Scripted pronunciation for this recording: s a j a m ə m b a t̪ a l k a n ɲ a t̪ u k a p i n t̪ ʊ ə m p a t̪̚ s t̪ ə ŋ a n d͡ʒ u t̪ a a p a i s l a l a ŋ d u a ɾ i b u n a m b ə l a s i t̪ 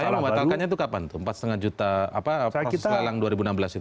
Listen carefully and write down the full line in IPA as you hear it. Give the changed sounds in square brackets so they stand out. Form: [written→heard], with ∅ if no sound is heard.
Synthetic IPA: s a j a m ə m b a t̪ a l k a n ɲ a t̪ u k a p [i→a] n t̪ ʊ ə m p a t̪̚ s t̪ ə ŋ a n d͡ʒ u t̪ a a p a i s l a l a ŋ d u a ɾ i b u n a m b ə l a s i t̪